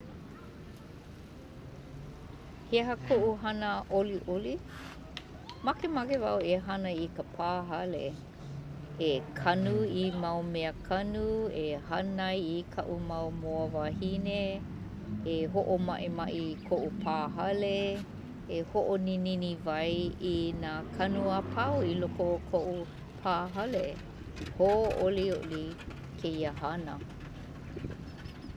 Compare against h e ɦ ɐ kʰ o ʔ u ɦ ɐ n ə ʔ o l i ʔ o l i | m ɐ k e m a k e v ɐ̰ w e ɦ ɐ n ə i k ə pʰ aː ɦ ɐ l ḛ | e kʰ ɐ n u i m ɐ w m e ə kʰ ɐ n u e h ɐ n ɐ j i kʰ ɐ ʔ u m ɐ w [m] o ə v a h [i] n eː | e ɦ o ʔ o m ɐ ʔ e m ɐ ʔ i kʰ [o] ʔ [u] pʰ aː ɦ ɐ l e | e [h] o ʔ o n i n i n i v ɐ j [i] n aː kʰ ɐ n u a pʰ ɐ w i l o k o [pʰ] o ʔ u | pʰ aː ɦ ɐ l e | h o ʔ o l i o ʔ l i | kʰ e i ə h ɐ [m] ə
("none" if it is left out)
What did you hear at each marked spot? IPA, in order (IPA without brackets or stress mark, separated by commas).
m, i, o, u, h, i, kʰ, n